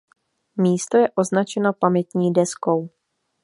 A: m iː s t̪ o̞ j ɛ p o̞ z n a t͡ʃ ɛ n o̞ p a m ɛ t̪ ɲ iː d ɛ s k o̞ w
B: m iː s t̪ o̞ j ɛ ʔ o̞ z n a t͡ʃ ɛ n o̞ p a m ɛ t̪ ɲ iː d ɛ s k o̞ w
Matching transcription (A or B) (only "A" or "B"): B